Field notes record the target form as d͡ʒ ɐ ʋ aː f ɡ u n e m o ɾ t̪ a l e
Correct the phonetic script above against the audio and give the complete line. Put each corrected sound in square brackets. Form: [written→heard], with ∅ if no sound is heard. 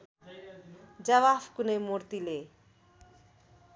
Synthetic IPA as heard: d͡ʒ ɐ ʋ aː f [ɡ→k] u n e m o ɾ t̪ [a→i] l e